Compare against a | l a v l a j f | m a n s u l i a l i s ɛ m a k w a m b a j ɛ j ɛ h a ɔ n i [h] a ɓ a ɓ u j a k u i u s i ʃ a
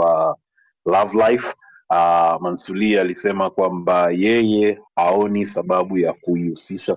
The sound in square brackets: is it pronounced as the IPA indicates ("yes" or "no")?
no